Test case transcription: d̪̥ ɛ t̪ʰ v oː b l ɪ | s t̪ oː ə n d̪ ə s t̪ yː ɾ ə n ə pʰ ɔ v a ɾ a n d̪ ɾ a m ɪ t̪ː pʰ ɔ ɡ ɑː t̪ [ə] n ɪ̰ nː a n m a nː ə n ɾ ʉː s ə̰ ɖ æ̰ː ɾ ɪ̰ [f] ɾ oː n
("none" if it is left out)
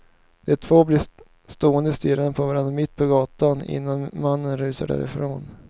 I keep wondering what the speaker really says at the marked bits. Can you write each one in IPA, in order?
a, f

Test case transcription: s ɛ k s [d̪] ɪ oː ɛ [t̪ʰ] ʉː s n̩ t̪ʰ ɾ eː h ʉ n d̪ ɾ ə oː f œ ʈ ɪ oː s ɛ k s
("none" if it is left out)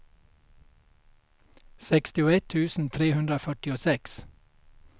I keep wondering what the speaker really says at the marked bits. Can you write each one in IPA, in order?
t̪, t̪ʰ

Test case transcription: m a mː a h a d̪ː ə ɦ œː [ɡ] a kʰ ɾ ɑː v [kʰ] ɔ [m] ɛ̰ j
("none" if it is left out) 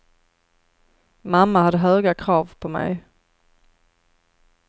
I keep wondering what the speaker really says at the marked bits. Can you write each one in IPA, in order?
ɡ, pʰ, m

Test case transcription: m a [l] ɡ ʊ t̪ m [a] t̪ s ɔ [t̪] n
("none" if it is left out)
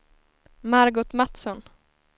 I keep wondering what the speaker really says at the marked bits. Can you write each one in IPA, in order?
ɾ, a, none

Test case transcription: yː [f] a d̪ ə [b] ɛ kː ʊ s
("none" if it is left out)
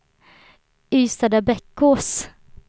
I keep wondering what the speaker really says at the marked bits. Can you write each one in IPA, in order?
s, b

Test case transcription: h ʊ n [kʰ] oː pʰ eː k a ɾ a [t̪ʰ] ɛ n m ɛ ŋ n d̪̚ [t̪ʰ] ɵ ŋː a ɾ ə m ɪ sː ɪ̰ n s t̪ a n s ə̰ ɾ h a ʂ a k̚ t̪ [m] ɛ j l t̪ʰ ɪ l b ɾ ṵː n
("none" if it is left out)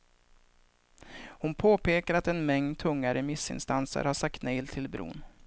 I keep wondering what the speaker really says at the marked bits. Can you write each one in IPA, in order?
pʰ, t̪, t̪ʰ, n

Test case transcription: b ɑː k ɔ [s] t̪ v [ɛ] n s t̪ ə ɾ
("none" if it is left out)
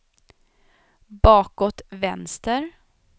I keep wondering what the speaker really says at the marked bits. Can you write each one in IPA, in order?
none, ɛ

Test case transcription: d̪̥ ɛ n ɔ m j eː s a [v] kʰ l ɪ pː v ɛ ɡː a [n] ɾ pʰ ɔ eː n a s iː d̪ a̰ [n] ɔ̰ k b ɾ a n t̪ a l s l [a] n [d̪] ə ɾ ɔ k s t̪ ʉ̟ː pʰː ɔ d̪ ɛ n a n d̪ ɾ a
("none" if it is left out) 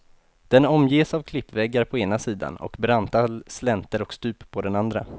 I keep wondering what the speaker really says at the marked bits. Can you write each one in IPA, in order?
v, none, n, ɛ, t̪

